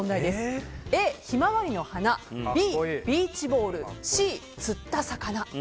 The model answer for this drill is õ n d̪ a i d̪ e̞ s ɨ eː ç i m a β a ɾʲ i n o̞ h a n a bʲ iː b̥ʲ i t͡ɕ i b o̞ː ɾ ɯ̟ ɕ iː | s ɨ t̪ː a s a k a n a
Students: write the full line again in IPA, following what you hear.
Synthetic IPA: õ n d̪ a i d̪ e̞ s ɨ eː ç i m a β a ɾʲ i n o̞ h a n a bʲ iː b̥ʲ iː t͡ɕ i b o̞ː ɾ ɯ̟ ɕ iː | t͡s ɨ t̪ː a s a k a n a